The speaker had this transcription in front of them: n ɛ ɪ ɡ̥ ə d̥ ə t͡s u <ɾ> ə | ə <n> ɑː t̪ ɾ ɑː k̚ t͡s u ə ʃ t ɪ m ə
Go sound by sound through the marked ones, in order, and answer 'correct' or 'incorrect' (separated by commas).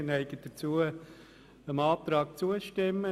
incorrect, incorrect